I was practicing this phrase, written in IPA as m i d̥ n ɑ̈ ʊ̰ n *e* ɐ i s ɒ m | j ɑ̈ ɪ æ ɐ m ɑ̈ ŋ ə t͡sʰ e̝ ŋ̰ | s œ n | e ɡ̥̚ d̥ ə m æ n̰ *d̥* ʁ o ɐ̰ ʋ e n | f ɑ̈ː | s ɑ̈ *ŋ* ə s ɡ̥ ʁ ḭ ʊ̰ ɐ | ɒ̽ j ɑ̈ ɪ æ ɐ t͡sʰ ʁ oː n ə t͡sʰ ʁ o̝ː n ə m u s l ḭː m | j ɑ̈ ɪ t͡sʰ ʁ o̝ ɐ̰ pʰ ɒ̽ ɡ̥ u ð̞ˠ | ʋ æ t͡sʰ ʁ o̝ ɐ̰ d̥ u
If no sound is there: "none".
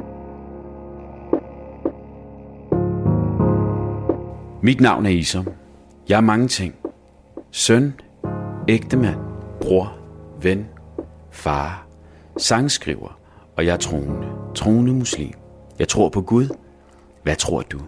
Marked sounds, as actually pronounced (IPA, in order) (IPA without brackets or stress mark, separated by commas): æ, b̥, ŋ